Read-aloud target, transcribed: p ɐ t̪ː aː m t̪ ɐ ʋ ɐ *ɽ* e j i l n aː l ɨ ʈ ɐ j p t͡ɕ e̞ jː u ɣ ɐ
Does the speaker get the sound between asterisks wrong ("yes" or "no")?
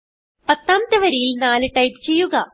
yes